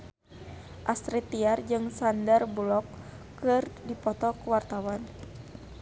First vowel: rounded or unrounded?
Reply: unrounded